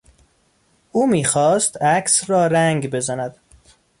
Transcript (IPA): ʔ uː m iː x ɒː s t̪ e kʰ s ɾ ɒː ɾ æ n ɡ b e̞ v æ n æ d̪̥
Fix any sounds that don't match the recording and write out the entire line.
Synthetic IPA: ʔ uː m iː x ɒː s t̪ æ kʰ s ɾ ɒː ɾ æ ŋ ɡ b e̞ z æ n æ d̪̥